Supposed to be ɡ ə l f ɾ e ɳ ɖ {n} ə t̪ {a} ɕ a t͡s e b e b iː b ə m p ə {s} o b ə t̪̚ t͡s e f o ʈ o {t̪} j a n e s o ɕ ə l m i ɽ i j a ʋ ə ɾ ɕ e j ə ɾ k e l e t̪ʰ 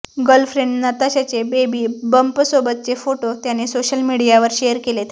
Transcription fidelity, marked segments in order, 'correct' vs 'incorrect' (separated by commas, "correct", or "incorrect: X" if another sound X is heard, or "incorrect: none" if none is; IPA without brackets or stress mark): correct, correct, correct, correct